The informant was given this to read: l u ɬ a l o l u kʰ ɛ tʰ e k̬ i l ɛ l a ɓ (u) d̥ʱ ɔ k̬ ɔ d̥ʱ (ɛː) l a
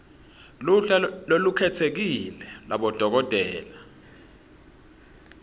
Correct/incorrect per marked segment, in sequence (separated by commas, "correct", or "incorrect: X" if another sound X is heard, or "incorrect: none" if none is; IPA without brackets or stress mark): incorrect: ɔ, correct